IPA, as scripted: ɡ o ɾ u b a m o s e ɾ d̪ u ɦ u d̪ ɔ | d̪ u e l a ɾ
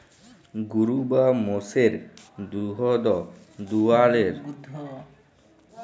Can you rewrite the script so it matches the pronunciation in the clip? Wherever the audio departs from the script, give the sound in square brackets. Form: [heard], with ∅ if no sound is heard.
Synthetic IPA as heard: ɡ [u] ɾ u b a m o s e ɾ d̪ u ɦ [ɔ] d̪ ɔ | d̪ u [a] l [e] ɾ